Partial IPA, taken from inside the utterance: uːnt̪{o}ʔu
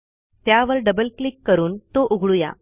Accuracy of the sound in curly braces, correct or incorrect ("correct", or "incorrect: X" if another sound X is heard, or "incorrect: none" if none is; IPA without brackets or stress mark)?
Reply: correct